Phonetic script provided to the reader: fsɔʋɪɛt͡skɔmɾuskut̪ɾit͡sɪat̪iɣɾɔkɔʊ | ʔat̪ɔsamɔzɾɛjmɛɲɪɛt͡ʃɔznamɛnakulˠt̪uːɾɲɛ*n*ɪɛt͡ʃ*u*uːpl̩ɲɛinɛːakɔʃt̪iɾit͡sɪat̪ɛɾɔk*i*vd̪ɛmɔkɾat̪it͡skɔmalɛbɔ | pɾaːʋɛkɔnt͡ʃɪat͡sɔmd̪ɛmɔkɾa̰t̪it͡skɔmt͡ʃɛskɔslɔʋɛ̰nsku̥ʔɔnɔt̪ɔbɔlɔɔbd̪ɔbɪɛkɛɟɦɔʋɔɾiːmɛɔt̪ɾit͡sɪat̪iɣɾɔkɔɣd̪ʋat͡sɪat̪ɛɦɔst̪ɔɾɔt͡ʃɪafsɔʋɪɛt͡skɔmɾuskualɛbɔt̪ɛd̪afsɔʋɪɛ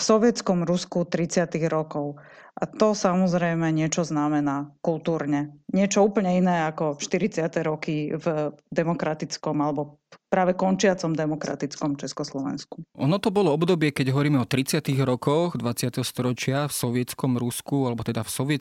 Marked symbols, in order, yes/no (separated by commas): no, no, yes